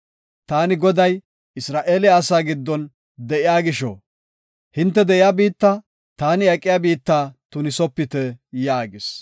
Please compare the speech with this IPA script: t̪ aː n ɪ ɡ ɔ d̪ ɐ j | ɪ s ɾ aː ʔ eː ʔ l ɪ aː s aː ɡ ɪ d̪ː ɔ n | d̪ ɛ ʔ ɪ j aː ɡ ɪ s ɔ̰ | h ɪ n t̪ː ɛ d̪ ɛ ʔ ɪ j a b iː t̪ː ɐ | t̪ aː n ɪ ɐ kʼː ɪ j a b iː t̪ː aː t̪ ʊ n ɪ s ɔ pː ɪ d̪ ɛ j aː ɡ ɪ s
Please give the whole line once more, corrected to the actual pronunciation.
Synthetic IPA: t̪ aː n ɪ ɡ ɔ d̪ ɐ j | ɪ s ɾ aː ʔ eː l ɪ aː s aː ɡ ɪ d̪ː ɔ n | d̪ ɛ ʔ ɪ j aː ɡ ɪ ʃ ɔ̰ | h ɪ n t̪ː ɛ d̪ ɛ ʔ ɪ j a b iː t̪ː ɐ | t̪ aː n ɪ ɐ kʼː ɪ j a b iː t̪ː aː t̪ ʊ n ɪ s ɔ pː ɪ t̪ ɛ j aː ɡ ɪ s